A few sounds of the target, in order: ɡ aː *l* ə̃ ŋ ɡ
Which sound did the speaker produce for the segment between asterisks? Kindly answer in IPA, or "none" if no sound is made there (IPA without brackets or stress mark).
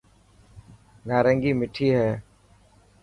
ɾ